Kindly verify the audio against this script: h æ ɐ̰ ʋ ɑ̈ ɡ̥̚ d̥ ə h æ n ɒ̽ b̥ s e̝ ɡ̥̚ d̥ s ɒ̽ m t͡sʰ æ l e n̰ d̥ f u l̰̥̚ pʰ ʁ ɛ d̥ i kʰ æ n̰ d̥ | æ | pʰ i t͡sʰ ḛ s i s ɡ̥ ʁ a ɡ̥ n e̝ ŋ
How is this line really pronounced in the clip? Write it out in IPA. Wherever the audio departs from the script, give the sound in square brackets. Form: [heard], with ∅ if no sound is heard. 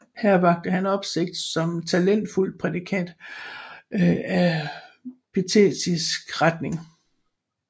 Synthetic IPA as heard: h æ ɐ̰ ʋ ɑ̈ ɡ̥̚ d̥ ə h æ n ɒ̽ b̥ s e̝ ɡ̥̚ d̥ s ɒ̽ m t͡sʰ æ l e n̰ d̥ f u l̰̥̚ pʰ ʁ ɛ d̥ i kʰ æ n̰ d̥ | æ | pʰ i t͡sʰ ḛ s i s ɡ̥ ʁ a [d̥] n e̝ ŋ